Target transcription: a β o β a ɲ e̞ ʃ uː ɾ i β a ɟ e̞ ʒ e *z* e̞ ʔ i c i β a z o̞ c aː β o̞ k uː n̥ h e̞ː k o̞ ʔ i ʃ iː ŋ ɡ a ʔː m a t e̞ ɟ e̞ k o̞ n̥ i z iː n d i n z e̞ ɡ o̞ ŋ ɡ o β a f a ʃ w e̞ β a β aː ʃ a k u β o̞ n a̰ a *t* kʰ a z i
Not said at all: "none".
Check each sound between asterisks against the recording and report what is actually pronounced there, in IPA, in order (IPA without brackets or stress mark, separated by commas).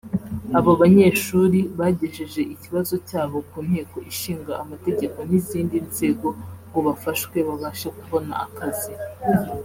ʒ, none